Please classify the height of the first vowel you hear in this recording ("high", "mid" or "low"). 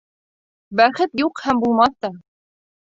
low